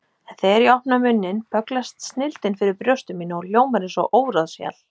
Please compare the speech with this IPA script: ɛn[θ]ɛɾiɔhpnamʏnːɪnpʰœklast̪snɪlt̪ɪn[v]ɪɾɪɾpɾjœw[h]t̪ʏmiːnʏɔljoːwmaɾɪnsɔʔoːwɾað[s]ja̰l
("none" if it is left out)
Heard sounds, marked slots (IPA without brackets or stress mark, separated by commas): θ, f, s, s